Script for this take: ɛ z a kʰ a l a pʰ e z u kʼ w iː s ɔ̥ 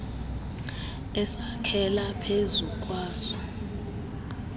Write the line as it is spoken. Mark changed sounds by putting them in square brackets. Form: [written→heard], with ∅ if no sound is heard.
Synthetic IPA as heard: ɛ [z→s] a kʰ [a→ɛ] l a pʰ e z u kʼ w [iː→aː] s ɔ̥